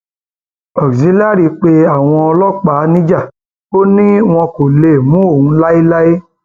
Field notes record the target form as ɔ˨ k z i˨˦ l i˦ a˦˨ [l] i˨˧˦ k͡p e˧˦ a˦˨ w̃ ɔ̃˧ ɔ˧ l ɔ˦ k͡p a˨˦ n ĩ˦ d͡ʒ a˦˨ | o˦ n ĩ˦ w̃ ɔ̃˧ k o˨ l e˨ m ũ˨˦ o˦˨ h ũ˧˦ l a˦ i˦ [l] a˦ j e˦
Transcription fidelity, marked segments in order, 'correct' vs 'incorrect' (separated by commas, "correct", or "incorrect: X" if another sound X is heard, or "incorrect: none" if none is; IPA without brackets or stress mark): incorrect: ɾ, correct